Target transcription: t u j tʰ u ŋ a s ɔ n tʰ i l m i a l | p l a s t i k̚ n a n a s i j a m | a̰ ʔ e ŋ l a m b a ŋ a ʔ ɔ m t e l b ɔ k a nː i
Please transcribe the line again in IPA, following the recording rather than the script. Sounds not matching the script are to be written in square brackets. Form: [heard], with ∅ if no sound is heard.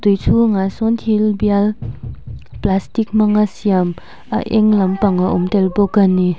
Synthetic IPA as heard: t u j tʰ u ŋ a s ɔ n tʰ i l [b] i a l | p l a s t i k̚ [m] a [ŋ] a s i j a m | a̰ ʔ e ŋ l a m [p] a ŋ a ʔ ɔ m t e l b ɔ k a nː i